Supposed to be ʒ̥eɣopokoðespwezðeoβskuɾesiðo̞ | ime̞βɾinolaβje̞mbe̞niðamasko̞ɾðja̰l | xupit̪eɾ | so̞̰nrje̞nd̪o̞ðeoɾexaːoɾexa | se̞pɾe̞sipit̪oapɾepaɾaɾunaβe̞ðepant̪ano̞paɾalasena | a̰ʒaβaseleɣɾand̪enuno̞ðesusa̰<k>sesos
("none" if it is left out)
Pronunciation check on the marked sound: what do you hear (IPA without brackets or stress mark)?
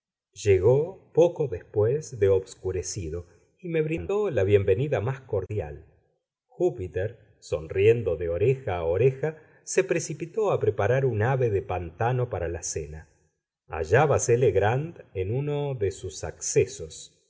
k